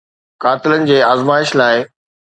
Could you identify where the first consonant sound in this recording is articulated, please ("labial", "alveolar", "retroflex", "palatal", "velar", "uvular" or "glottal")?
velar